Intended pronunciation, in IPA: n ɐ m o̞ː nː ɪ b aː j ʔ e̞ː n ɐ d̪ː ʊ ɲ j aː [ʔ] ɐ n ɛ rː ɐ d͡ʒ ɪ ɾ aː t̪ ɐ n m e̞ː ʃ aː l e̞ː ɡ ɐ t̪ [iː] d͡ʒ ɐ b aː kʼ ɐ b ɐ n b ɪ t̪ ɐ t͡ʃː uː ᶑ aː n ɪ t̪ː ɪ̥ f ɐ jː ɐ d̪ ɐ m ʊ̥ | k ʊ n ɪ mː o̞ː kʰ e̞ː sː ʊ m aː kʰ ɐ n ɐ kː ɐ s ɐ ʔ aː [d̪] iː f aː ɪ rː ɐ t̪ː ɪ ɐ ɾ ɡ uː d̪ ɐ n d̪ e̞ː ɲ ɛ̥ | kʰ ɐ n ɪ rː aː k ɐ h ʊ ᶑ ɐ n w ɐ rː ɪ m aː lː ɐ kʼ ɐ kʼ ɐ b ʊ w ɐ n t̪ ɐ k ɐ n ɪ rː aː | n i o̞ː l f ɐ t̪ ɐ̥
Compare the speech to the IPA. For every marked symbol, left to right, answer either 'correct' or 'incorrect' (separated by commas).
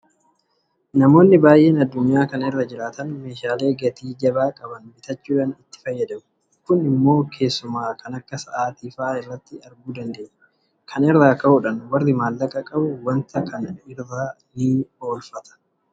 incorrect, correct, incorrect